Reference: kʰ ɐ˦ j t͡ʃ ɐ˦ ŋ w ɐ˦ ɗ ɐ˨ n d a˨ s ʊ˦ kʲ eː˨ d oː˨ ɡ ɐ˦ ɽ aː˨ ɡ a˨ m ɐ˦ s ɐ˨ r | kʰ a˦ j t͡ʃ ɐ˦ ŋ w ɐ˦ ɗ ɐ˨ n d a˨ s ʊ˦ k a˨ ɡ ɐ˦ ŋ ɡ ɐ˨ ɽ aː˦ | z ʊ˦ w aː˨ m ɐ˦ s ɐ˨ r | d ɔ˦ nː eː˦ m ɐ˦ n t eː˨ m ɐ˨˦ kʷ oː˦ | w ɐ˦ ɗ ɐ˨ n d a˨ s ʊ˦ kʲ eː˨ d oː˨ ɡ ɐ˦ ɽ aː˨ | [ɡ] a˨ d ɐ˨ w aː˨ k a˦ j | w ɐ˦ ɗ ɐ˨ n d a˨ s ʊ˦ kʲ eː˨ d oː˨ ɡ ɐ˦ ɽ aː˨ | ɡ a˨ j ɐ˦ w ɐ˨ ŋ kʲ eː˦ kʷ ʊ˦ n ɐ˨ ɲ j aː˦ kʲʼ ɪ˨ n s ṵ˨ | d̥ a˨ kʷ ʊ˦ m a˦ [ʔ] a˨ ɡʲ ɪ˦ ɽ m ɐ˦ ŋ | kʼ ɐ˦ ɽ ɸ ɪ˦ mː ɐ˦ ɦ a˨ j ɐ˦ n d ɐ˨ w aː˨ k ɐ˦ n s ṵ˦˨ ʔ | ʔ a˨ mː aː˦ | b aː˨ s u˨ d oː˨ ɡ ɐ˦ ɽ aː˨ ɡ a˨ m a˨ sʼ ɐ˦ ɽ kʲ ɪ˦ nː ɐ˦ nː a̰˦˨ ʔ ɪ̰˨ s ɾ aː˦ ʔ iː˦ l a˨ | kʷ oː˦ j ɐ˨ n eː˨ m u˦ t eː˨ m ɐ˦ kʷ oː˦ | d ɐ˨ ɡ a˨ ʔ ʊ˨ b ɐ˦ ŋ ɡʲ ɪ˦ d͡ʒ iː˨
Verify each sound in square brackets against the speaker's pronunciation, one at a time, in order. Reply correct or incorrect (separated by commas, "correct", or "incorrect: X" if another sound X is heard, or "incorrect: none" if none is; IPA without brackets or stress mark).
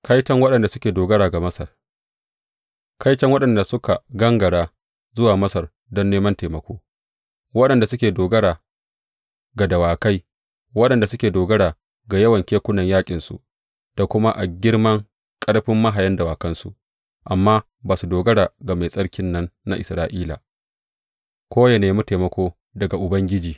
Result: correct, correct